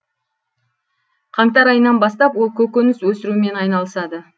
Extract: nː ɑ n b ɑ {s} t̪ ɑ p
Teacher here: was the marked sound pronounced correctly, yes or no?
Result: yes